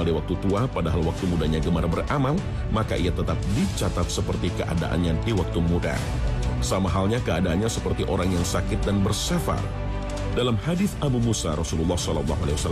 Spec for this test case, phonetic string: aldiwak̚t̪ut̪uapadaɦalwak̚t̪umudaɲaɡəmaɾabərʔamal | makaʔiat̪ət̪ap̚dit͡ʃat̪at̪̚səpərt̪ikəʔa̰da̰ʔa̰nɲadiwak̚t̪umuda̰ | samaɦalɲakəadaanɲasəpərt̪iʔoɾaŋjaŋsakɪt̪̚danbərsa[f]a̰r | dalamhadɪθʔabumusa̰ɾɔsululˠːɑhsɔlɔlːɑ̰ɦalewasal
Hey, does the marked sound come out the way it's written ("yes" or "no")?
yes